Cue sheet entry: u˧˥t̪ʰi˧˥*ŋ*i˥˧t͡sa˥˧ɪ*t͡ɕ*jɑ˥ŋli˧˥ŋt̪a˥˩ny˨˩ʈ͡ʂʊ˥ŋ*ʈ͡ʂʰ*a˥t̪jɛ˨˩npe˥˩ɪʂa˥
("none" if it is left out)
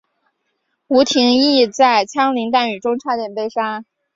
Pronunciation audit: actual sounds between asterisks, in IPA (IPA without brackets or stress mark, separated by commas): ŋ, t͡ɕʰ, ʈ͡ʂʰ